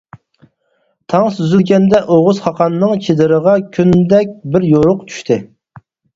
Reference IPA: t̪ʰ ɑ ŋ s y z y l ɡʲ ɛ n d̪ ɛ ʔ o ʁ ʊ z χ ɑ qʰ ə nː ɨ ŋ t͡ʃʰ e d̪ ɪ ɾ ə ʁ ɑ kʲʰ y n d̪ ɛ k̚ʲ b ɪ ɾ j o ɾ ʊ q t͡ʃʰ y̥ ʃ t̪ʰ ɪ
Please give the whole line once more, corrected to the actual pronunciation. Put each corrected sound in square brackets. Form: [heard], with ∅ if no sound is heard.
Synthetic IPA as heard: t̪ʰ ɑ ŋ s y z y l ɡʲ ɛ n d̪ ɛ ʔ o ʁ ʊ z χ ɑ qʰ [ɑ] nː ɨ ŋ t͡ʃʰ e d̪ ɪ ɾ ə ʁ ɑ kʲʰ y n d̪ ɛ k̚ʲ b ɪ ɾ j o ɾ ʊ q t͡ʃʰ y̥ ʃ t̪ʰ ɪ